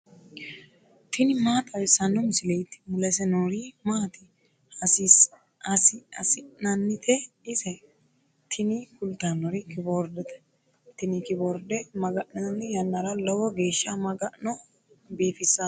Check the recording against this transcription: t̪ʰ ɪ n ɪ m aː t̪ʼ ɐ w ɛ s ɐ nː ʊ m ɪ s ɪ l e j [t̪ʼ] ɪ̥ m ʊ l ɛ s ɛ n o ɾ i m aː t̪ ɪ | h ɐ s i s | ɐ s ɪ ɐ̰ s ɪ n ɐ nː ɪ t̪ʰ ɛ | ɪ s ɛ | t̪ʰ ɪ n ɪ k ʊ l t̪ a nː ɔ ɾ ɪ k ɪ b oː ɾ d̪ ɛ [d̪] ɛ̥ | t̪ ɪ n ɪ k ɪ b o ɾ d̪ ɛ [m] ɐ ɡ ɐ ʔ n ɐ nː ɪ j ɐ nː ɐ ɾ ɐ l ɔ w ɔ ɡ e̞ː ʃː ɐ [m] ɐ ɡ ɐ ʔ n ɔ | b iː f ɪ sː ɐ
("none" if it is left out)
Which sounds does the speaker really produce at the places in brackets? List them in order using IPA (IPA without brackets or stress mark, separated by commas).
t̪, t̪, m, m